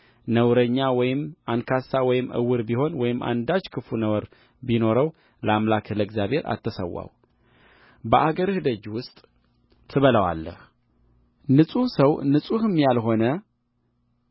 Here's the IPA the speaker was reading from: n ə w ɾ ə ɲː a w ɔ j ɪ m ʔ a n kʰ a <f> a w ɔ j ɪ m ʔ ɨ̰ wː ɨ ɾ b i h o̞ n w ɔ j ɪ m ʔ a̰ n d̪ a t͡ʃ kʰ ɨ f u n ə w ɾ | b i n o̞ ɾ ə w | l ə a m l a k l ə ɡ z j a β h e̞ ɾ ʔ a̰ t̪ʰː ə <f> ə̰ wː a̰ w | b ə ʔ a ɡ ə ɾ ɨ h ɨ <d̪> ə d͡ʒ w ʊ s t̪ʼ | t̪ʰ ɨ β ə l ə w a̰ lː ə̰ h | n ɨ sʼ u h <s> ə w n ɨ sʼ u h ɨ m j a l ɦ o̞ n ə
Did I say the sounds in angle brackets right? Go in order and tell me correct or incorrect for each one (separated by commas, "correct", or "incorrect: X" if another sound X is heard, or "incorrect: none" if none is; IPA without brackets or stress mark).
incorrect: s, incorrect: s, correct, correct